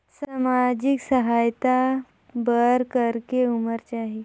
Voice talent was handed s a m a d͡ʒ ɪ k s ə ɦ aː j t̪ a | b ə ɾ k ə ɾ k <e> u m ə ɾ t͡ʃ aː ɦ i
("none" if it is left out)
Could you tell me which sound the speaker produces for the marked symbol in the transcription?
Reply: e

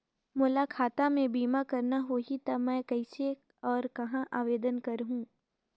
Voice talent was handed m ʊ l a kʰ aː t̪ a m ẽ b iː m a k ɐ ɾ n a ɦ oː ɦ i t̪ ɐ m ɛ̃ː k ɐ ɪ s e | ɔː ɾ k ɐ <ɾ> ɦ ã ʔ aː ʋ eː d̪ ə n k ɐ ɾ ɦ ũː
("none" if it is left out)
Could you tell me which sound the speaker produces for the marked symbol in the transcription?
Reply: none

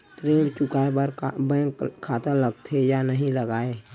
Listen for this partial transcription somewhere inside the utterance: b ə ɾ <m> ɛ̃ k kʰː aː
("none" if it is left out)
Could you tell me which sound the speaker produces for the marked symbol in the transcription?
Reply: b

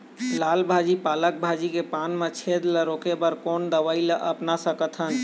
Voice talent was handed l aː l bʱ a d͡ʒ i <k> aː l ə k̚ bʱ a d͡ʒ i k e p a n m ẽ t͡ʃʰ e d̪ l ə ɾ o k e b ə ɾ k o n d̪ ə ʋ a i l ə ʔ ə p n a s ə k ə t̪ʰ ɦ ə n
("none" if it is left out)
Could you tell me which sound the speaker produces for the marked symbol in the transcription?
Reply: p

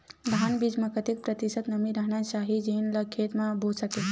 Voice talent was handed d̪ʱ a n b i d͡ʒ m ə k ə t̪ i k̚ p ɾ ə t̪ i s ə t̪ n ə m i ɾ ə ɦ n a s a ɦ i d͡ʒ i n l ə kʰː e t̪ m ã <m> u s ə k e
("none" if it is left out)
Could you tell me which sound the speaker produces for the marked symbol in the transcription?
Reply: b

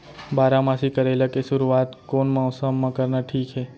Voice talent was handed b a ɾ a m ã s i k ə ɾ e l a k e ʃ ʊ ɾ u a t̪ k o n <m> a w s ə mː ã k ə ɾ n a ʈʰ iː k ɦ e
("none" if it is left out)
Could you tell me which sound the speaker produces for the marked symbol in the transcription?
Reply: m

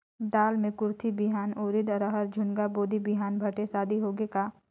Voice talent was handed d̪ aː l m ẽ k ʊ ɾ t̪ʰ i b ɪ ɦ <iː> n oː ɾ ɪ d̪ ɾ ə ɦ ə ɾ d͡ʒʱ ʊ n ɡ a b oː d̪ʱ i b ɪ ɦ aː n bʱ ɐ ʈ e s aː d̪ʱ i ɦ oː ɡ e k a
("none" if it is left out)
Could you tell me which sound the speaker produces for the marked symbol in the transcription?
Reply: aː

